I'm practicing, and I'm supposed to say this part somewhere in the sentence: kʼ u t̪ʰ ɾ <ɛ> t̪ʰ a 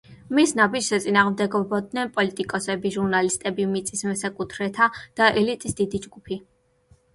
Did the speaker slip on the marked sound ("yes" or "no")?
no